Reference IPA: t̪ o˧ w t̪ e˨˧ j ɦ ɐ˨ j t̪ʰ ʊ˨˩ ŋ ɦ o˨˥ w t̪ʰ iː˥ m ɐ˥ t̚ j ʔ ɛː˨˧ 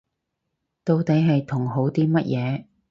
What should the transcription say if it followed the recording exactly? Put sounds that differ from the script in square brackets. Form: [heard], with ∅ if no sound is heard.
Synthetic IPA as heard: t̪ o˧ w t̪ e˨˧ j ɦ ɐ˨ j t̪ʰ ʊ˨˩ ŋ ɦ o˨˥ w [t̪] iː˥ m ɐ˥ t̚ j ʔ ɛː˨˧